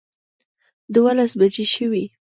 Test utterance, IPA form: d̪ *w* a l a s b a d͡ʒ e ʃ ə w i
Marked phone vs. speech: correct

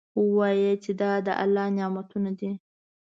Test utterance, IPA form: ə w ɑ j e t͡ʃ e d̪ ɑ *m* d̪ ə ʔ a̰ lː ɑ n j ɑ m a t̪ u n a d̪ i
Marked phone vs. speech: incorrect: none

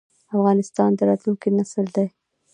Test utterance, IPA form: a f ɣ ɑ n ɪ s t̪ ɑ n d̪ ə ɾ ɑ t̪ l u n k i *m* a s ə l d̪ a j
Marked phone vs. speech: incorrect: n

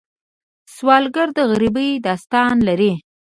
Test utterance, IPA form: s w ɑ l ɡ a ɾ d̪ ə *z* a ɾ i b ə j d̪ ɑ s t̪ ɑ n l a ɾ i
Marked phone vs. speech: incorrect: ɣ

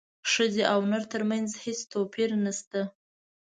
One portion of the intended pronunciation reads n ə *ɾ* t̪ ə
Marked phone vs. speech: correct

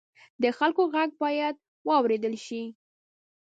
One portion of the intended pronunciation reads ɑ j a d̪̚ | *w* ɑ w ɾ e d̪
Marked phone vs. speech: correct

